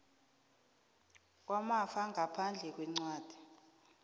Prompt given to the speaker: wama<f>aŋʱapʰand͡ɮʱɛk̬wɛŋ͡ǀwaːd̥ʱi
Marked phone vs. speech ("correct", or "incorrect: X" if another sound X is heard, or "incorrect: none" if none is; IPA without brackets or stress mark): correct